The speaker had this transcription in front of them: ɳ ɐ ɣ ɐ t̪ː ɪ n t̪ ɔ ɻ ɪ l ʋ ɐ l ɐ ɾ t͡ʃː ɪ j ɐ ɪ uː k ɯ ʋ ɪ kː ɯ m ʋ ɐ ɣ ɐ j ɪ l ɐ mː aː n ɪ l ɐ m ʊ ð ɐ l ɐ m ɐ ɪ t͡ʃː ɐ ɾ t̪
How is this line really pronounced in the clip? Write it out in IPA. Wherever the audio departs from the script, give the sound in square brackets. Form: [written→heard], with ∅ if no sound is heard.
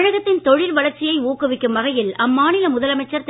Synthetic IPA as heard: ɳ ɐ ɣ ɐ t̪ː ɪ n t̪ ɔ ɻ ɪ l ʋ ɐ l ɐ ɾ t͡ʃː ɪ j ɐ ɪ uː k ɯ ʋ ɪ kː ɯ m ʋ ɐ ɣ ɐ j ɪ l ɐ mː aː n ɪ l ɐ m ʊ ð ɐ l ɐ m ɐ ɪ t͡ʃː ɐ ɾ t̪

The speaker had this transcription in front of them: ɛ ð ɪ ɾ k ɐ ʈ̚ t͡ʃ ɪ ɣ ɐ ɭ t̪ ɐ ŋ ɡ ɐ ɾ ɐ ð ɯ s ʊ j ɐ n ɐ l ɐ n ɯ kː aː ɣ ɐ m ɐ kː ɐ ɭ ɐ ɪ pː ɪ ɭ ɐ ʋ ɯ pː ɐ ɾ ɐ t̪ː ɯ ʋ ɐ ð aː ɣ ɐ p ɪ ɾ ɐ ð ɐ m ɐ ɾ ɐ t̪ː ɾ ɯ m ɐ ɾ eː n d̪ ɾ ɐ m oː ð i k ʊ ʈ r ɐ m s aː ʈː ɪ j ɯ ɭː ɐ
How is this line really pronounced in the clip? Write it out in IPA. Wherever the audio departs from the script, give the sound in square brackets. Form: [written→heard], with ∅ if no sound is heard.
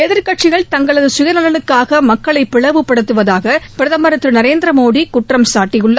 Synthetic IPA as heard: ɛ ð ɪ ɾ k ɐ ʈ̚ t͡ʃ ɪ ɣ ɐ ɭ t̪ ɐ ŋ ɡ ɐ [ɾ→ɭ] ɐ ð ɯ s ʊ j ɐ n ɐ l ɐ n ɯ kː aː ɣ ɐ m ɐ kː ɐ ɭ ɐ ɪ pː ɪ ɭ ɐ ʋ ɯ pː ɐ [ɾ→ɽ] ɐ t̪ː ɯ ʋ ɐ ð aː ɣ ɐ p ɪ ɾ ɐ ð ɐ m ɐ ɾ ɐ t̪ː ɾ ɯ [m→n] ɐ ɾ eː n d̪ ɾ ɐ m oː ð i k ʊ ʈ r ɐ m s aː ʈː ɪ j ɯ ɭː ɐ

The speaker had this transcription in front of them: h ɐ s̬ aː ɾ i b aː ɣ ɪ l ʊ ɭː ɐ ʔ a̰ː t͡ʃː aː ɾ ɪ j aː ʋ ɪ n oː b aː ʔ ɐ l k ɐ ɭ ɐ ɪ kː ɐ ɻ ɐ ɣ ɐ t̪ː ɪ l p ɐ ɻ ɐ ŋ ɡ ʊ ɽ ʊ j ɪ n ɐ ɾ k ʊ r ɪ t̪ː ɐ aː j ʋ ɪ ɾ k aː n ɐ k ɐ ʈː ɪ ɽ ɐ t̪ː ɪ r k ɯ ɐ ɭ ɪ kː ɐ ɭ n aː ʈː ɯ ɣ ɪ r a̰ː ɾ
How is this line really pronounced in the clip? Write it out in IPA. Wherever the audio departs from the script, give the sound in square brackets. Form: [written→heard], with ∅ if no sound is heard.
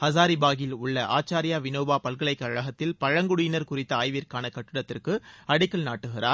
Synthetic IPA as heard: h ɐ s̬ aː ɾ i b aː ɣ ɪ l ʊ ɭː ɐ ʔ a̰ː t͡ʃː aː ɾ ɪ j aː ʋ ɪ n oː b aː [ʔ→p] ɐ l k ɐ ɭ ɐ ɪ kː ɐ ɻ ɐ ɣ ɐ t̪ː ɪ l p ɐ ɻ ɐ ŋ ɡ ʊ ɽ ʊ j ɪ n ɐ ɾ k ʊ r ɪ t̪ː ɐ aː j ʋ ɪ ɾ k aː n ɐ k ɐ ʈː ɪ ɽ ɐ t̪ː ɪ r k ɯ ɐ [ɭ→ɽ] ɪ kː ɐ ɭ n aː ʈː ɯ ɣ ɪ r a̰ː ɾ

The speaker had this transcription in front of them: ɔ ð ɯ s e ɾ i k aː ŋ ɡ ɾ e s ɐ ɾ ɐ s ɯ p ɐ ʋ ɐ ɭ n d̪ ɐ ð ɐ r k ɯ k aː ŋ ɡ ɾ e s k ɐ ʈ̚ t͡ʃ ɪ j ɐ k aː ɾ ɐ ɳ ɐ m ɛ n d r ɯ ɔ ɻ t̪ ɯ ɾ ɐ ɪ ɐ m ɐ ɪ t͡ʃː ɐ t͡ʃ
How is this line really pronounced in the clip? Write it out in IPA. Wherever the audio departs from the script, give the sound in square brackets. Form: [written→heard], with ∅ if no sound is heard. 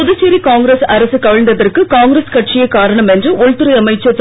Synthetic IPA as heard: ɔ ð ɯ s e ɾ i k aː ŋ ɡ ɾ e s ɐ ɾ ɐ s ɯ [p→k] ɐ ʋ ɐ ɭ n d̪ ɐ ð ɐ r k ɯ k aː ŋ ɡ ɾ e s k ɐ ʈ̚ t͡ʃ ɪ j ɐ k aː ɾ ɐ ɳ ɐ m ɛ n d r ɯ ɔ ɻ t̪ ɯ ɾ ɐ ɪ ɐ m ɐ ɪ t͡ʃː ɐ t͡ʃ

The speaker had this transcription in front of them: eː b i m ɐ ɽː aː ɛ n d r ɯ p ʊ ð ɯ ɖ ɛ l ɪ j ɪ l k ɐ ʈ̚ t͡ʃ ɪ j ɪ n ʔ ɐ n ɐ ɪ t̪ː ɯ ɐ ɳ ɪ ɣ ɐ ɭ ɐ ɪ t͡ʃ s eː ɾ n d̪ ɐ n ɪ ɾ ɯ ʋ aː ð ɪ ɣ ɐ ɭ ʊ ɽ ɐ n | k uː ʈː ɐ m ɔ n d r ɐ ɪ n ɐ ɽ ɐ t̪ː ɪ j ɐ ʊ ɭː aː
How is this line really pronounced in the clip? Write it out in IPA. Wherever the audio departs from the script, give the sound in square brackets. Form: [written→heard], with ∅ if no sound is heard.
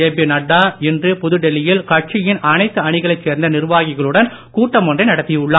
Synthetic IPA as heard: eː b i [m→n] ɐ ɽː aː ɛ n d r ɯ p ʊ ð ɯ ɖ ɛ l ɪ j ɪ l k ɐ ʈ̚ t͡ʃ ɪ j ɪ n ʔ ɐ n ɐ ɪ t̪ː ɯ ɐ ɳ ɪ ɣ ɐ ɭ ɐ ɪ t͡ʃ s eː ɾ n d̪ ɐ n ɪ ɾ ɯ ʋ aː [ð→ɣ] ɪ ɣ ɐ ɭ [ʊ→ɯ] ɽ ɐ n | k uː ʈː ɐ m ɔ n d r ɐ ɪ n ɐ ɽ ɐ t̪ː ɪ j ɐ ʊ ɭː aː

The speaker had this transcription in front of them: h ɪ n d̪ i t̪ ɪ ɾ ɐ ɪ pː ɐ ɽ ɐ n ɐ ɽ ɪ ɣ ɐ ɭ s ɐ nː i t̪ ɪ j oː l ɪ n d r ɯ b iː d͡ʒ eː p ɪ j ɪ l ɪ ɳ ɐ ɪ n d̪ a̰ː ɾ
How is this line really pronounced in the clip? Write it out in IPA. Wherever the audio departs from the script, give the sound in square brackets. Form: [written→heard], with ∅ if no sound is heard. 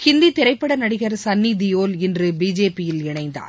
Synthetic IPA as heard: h ɪ n d̪ i t̪ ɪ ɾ ɐ ɪ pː ɐ ɽ ɐ n ɐ ɽ ɪ ɣ ɐ [ɭ→ɾ] s ɐ nː i [t̪→d̪] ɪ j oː l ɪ n d r ɯ b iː d͡ʒ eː p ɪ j ɪ l ɪ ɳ ɐ ɪ n d̪ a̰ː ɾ

